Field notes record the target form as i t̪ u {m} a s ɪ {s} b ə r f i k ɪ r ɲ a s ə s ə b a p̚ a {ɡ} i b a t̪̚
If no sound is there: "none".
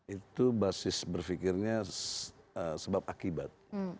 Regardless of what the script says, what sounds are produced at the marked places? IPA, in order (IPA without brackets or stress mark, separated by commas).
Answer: b, s, k